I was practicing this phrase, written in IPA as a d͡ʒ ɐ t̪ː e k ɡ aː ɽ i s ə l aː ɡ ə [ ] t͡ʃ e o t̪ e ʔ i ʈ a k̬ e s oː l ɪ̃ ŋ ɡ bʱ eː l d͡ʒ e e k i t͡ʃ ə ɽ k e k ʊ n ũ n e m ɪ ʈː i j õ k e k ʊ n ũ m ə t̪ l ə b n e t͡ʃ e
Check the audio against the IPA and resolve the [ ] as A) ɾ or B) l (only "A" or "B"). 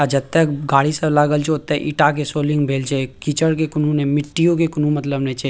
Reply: B